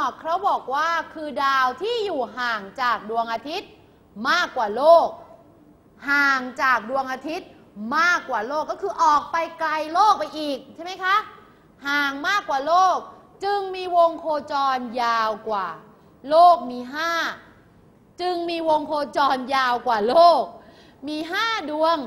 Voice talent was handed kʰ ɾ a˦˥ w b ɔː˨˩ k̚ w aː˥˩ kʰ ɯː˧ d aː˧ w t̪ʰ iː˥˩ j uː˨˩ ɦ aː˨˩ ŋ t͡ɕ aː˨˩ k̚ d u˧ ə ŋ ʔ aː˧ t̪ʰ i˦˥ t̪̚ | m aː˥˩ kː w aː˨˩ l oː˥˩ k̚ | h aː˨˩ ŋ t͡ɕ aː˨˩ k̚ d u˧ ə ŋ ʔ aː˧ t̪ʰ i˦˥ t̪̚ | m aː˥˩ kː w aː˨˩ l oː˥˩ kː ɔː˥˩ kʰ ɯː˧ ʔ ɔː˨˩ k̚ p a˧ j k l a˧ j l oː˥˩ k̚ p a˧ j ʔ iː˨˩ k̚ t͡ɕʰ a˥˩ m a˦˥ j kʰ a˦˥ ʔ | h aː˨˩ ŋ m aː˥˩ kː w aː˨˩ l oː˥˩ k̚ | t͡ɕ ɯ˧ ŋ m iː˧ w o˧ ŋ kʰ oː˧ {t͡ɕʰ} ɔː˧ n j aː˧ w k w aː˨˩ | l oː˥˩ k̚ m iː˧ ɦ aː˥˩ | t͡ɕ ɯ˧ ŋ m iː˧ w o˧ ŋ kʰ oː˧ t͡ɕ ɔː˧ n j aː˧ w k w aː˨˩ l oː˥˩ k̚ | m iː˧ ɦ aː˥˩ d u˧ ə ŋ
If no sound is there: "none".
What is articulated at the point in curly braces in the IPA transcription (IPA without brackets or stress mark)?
t͡ɕ